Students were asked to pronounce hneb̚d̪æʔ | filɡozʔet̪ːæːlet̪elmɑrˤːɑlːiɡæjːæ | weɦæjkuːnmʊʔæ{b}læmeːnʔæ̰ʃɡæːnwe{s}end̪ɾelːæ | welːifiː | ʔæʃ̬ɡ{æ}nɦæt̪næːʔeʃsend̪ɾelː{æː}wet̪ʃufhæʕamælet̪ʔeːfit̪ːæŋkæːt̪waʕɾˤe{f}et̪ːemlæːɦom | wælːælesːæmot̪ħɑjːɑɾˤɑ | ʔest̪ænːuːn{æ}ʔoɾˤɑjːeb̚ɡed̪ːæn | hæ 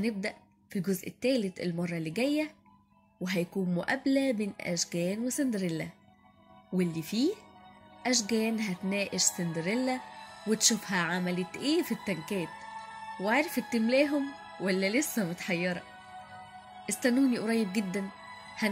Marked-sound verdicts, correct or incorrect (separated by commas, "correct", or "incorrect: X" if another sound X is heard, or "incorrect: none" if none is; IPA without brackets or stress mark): correct, correct, incorrect: æː, incorrect: æ, correct, incorrect: i